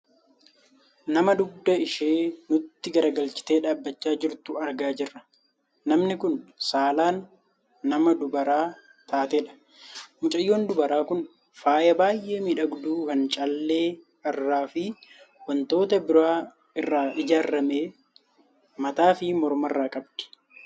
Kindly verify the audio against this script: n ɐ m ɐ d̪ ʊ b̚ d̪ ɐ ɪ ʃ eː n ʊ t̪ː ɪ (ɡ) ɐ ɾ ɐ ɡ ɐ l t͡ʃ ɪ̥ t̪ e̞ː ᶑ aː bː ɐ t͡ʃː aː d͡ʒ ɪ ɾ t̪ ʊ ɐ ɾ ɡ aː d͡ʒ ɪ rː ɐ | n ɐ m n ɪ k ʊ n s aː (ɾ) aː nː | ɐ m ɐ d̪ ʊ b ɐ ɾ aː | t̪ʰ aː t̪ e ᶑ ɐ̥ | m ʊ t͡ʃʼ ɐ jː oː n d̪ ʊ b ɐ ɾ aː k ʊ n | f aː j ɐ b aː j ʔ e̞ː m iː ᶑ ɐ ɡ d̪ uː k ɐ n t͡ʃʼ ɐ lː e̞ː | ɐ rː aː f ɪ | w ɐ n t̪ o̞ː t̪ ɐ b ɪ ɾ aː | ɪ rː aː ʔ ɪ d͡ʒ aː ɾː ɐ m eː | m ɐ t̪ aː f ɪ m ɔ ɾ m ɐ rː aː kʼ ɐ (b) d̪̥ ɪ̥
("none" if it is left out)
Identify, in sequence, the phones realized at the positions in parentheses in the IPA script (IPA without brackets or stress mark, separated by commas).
ɡ, l, b